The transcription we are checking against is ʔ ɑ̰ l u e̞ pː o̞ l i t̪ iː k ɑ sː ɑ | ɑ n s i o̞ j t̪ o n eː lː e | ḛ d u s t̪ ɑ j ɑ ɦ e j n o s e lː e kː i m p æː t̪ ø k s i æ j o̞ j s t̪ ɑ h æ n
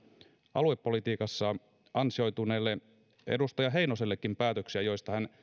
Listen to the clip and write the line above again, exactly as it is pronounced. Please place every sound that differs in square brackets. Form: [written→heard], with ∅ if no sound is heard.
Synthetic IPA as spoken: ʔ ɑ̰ l u e̞ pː o̞ l i t̪ iː k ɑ sː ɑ | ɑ n s i o̞ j t̪ [o→u] n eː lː e | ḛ d u s t̪ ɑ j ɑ ɦ e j n o s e lː e kː i m p æː t̪ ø k s i æ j o̞ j s t̪ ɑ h æ n

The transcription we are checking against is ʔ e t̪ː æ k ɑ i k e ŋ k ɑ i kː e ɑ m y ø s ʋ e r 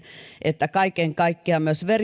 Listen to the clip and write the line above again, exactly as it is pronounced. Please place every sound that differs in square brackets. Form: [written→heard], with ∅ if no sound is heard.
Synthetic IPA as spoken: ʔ e t̪ː æ k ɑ i k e ŋ k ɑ i kː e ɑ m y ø s ʋ e r

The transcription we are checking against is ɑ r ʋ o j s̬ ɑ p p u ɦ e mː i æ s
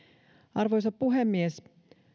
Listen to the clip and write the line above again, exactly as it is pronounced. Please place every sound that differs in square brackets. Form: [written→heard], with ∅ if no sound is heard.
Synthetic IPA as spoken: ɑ r ʋ o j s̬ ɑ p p u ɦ e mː i [æ→e] s

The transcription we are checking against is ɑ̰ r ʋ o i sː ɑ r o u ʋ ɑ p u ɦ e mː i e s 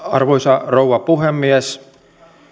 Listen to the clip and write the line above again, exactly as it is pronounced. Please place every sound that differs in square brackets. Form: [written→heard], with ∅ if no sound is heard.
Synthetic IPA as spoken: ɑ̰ r ʋ o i [sː→s] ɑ r o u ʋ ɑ p u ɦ e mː i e s

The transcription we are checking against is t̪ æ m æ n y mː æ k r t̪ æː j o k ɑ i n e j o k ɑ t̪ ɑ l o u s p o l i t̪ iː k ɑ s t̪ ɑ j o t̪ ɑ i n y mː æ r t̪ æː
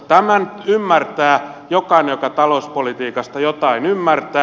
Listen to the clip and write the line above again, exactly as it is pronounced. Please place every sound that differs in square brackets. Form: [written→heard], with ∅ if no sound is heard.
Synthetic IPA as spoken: t̪ æ m æ n y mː æ [k→∅] r t̪ æː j o k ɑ i n e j o k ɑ t̪ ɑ l o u s p o l i t̪ iː k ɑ s t̪ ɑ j o t̪ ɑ i n y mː æ r t̪ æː

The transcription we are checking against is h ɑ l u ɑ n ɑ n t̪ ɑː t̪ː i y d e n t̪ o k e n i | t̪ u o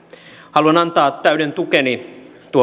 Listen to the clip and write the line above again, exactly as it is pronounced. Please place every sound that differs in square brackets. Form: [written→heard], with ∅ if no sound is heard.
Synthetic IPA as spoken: h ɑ l u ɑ n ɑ n t̪ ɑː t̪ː [i→æ] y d e n t̪ [o→u] k e n i | t̪ u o

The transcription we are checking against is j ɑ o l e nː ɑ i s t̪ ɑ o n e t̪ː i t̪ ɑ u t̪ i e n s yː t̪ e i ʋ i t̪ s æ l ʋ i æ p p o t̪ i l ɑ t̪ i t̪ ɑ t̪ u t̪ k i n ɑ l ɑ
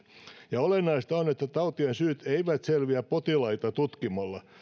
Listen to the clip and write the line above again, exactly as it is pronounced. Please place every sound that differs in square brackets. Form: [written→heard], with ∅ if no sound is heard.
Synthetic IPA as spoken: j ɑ o l e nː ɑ i s t̪ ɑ o n e t̪ː [i→æ] t̪ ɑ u t̪ i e n s yː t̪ e i ʋ [i→æ] t̪ s [æ→e] l ʋ i æ p p o t̪ i l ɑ [t̪→∅] i t̪ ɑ t̪ u t̪ k i [n→m] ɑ [l→lː] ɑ

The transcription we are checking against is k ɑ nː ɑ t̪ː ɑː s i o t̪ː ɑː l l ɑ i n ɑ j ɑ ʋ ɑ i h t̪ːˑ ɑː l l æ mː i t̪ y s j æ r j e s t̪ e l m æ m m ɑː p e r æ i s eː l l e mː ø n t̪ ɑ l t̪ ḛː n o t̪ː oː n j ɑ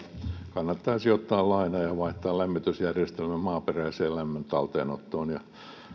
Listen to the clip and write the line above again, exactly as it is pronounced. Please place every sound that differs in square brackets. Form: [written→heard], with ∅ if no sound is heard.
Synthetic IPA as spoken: k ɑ nː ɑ t̪ː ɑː s i o t̪ː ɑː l l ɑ i n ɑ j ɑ ʋ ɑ i h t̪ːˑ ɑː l l æ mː i t̪ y s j æ r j e s t̪ e l m æ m m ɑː p e r æ i s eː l l [e→æ] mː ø n t̪ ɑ l t̪ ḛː n o t̪ː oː n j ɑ

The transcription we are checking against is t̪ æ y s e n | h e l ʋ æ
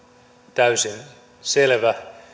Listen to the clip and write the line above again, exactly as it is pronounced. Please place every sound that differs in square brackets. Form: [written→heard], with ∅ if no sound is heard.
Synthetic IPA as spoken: t̪ æ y s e n | [h→s] e l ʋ æ

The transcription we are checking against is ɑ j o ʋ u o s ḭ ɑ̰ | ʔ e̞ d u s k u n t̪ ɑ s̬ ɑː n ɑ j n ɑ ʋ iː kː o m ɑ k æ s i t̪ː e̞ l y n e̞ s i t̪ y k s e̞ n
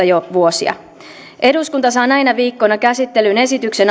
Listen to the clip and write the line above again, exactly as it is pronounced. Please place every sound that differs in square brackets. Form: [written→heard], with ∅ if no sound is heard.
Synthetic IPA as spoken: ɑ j o ʋ u o s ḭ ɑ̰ | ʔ e̞ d u s k u n t̪ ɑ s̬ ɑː n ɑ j n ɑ ʋ iː kː o [m→n] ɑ k æ s i t̪ː e̞ l y n e̞ s i t̪ y k s e̞ n

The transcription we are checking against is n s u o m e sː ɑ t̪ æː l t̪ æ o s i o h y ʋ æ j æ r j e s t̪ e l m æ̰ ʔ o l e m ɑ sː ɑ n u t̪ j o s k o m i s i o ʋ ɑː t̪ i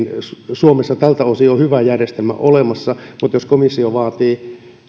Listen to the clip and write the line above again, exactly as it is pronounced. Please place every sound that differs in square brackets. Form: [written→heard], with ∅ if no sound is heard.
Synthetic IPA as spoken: n s u o m e sː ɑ t̪ [æː→æ] l t̪ æ o s i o h y ʋ æ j æ r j e s t̪ e l m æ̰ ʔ o l e m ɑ sː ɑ [n→m] u t̪ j o s k o m i [s→sː] i o ʋ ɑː t̪ [i→iː]

